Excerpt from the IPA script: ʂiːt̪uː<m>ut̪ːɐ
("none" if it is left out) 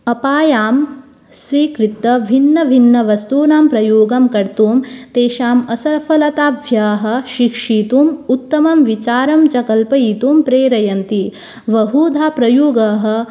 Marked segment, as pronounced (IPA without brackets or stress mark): m